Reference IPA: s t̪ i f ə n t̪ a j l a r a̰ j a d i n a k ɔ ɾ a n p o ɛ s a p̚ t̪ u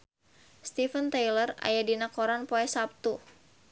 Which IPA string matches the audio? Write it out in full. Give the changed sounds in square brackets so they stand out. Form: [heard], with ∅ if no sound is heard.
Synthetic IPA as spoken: s t̪ i f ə n t̪ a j l [ə] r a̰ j a d i n a k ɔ ɾ a n p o ɛ s a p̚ t̪ u